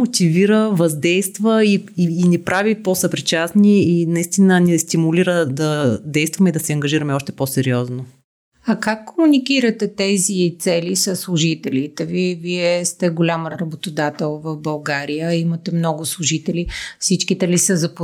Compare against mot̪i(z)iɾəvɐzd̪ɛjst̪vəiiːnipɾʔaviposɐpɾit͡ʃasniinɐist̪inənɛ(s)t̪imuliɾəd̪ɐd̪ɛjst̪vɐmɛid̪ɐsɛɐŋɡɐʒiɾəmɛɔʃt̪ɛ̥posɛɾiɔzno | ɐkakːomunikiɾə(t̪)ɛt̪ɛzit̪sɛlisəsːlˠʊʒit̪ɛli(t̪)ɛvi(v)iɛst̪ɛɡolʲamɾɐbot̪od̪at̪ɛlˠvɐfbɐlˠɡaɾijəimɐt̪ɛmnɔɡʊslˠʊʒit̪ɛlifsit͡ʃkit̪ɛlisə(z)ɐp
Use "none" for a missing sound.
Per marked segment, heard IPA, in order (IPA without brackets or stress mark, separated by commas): v, s, t̪, t̪, v, z